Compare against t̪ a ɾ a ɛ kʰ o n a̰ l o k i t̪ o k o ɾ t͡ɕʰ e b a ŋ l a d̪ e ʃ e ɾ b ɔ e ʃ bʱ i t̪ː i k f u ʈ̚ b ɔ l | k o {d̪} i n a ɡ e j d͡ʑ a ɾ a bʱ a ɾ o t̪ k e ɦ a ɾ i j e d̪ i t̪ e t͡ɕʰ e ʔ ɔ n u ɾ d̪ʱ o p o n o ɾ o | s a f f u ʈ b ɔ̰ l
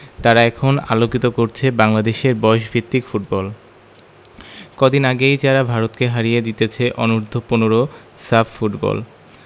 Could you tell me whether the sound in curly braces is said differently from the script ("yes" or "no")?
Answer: no